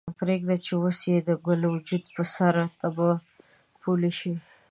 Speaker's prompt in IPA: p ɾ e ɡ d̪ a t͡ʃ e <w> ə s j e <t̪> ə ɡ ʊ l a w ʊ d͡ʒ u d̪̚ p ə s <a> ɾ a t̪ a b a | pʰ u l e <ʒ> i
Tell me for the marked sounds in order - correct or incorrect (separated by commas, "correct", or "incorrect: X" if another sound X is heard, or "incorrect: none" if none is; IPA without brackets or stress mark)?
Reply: correct, incorrect: d̪, correct, incorrect: ʃ